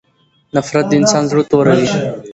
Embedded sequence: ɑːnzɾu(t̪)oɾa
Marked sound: correct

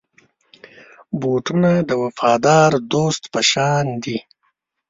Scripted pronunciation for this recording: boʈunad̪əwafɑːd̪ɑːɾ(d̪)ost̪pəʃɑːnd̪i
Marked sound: correct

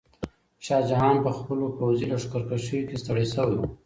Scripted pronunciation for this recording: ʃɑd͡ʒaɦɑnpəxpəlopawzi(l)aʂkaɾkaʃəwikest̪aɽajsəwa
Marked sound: correct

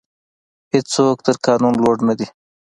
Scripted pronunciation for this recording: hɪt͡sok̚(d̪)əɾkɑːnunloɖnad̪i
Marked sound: incorrect: t̪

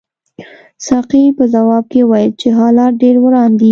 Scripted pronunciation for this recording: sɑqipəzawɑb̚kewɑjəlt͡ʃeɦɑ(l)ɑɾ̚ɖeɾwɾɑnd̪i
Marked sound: correct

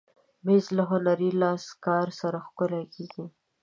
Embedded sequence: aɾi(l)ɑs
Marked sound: correct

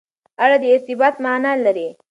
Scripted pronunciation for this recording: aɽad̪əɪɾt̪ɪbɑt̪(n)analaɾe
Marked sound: incorrect: m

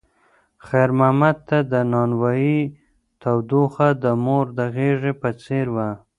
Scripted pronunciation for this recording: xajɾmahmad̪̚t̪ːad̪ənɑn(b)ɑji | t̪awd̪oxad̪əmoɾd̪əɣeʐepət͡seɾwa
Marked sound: incorrect: w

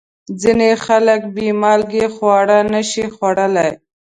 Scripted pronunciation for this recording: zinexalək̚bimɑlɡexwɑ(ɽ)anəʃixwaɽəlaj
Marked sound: correct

